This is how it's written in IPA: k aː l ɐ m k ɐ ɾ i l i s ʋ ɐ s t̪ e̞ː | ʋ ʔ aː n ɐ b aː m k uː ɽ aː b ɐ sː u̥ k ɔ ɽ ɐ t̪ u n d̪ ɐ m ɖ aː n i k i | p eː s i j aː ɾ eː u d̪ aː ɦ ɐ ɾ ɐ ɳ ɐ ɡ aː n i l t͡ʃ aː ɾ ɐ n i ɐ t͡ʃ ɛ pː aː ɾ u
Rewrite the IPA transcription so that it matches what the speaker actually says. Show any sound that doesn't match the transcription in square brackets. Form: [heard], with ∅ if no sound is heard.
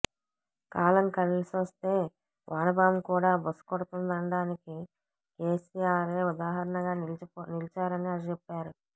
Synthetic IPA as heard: k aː l ɐ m k ɐ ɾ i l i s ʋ ɐ s t̪ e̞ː | ʋ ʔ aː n ɐ b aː m k uː ɽ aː b ɐ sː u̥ k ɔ ɽ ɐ t̪ u n d̪ ɐ [ɳ] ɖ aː n i k i | [k] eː s i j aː ɾ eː u d̪ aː ɦ ɐ ɾ ɐ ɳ ɐ ɡ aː n i l t͡ʃ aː ɾ ɐ n i ɐ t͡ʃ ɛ pː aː ɾ u